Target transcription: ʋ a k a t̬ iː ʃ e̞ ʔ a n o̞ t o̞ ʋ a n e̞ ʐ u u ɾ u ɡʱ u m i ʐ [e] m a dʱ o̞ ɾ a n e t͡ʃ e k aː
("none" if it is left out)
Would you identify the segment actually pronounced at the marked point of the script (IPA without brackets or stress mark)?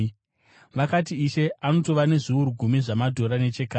a